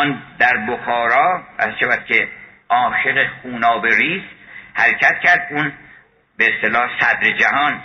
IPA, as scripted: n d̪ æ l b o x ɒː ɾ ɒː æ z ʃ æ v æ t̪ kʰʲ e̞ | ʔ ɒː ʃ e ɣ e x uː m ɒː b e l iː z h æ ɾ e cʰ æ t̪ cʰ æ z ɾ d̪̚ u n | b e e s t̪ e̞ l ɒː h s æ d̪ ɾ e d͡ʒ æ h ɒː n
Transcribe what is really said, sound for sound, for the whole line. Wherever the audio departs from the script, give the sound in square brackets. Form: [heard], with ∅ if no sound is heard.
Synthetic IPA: n d̪ æ [ɾ] b o x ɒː ɾ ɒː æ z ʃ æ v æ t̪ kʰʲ e̞ | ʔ ɒː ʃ e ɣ e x uː [n] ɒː b e [ɾ] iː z h æ ɾ e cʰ æ t̪ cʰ æ [∅] ɾ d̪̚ u n | b e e s t̪ e̞ l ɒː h s æ d̪ ɾ e d͡ʒ æ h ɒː n